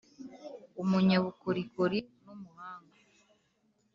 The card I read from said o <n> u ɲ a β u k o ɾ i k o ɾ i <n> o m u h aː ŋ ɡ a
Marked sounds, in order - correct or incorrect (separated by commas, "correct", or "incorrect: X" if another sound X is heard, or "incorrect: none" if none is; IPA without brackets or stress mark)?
incorrect: m, correct